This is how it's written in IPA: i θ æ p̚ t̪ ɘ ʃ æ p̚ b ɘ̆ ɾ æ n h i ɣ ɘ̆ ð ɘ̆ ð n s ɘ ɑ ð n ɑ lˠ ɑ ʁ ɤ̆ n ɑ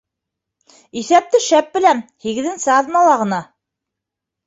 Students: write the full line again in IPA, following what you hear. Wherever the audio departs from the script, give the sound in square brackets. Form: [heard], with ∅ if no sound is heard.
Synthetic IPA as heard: i θ æ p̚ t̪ ɘ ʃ æ p̚ b ɘ̆ [l] æ n h i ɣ ɘ̆ ð ɘ̆ [∅] n s ɘ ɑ ð n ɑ lˠ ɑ ʁ ɤ̆ n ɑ